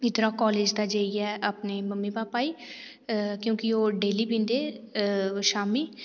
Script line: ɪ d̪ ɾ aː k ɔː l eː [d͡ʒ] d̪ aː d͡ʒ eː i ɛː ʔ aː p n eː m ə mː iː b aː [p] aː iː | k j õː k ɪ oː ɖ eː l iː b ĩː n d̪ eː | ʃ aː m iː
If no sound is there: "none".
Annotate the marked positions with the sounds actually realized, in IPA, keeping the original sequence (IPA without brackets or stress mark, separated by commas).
d͡ʒ, p